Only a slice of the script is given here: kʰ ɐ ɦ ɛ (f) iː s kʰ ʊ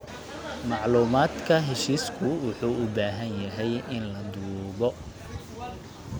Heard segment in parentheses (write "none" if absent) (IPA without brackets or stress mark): ʃ